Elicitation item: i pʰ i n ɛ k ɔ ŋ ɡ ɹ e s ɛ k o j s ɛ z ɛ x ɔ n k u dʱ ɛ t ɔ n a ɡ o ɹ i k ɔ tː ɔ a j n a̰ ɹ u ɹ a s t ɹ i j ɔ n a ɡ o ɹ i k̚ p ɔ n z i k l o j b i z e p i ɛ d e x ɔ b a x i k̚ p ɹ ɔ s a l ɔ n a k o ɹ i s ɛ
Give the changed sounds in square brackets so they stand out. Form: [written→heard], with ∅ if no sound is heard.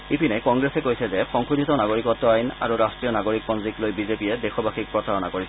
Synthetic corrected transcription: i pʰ i n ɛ k ɔ ŋ ɡ ɹ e s ɛ k o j s ɛ z ɛ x ɔ [n→ŋ] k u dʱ [ɛ→i] t ɔ n a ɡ o ɹ i k ɔ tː ɔ a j n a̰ ɹ u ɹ a s t ɹ i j ɔ n a ɡ o ɹ i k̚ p ɔ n z i k l o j b i z e p i ɛ d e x ɔ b a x i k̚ p ɹ ɔ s a [l→ɹ] ɔ n a k o ɹ i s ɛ